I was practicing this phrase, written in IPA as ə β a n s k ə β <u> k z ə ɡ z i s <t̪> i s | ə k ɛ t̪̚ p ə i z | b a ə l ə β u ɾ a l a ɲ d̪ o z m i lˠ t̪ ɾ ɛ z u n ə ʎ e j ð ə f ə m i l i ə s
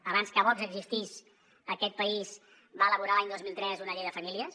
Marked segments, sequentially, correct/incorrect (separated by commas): incorrect, correct